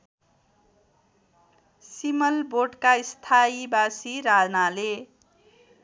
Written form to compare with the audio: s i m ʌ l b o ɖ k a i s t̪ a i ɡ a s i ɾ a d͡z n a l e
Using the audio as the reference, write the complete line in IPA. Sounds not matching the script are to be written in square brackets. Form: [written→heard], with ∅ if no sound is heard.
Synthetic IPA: s i m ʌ l b o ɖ k a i s [t̪→t̪ʰ] a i [ɡ→b] a s i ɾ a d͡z n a l e